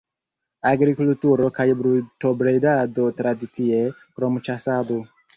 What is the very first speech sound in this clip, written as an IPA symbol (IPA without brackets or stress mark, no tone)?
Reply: a